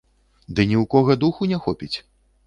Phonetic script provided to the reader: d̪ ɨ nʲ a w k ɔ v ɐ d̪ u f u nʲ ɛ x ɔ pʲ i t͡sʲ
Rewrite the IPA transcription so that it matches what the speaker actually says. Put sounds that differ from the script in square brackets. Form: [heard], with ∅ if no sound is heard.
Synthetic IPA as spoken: d̪ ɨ nʲ [i] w k ɔ [ɣ] ɐ d̪ u [x] u nʲ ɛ x ɔ pʲ i t͡sʲ